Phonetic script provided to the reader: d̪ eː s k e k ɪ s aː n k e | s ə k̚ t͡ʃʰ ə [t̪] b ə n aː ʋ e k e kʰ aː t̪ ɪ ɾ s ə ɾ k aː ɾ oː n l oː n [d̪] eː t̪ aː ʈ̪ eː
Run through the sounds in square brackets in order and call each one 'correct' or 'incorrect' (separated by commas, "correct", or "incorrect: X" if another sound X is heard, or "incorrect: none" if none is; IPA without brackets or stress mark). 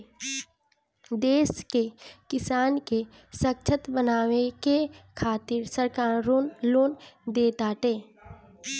correct, correct